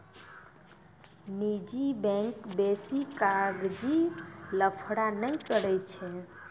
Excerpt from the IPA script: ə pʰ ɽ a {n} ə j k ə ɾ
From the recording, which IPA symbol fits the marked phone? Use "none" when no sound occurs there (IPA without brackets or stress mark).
n